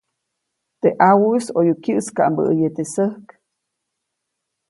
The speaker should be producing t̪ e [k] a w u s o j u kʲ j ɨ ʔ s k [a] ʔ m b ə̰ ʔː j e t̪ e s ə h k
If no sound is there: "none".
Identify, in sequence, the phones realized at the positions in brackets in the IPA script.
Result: ʔ, a

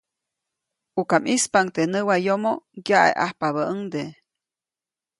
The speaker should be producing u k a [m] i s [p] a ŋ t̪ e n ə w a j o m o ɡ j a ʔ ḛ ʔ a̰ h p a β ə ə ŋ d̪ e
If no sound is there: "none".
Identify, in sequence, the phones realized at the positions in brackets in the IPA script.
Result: m, p

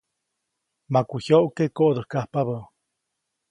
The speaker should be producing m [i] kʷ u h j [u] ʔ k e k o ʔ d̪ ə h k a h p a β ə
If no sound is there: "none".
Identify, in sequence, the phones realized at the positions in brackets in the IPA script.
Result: a, o

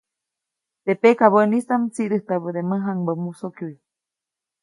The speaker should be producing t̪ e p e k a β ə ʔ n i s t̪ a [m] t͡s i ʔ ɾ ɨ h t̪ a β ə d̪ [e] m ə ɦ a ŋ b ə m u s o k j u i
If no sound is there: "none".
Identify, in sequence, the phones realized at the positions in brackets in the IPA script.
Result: m, e

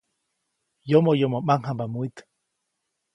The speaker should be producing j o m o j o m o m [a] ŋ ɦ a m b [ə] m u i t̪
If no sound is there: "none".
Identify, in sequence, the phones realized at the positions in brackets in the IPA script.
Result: a, a

